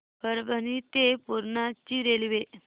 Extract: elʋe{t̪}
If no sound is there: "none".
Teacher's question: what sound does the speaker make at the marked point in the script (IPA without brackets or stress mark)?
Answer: none